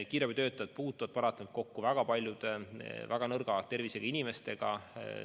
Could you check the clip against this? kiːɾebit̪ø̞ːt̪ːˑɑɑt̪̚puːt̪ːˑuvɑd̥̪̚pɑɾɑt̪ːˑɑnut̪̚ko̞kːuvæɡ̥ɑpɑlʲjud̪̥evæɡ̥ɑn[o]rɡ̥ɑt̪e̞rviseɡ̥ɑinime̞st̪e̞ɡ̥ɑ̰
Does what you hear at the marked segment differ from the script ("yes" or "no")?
yes